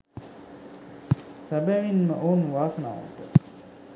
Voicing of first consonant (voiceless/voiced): voiceless